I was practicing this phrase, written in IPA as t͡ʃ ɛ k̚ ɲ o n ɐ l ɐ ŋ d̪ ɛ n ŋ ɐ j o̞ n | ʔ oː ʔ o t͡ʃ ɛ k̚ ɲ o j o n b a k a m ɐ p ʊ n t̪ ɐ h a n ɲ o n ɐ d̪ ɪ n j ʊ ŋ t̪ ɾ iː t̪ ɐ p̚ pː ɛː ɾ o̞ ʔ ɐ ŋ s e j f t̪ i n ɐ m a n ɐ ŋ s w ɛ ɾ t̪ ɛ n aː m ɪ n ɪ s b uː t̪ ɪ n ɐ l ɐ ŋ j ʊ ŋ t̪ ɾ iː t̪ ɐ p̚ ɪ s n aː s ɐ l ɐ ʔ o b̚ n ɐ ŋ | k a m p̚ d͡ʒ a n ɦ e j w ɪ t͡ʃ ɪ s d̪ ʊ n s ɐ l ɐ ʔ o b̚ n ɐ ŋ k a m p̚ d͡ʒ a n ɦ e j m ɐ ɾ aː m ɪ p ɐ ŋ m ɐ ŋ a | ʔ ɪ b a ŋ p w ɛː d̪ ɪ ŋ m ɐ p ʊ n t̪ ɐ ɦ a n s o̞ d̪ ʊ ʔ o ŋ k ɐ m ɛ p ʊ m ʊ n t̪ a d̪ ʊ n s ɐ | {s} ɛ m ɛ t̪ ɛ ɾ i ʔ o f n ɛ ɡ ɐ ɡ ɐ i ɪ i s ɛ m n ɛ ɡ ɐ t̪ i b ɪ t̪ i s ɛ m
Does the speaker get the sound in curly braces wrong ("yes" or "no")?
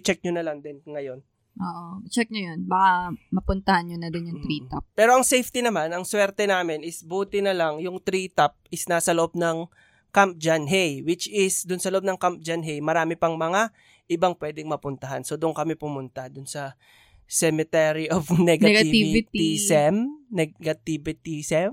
no